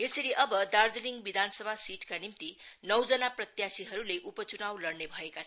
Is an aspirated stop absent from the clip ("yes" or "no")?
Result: yes